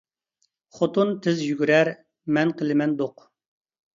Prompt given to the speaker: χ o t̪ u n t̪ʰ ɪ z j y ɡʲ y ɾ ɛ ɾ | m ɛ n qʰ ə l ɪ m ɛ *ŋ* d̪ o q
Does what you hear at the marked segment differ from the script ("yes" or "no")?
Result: yes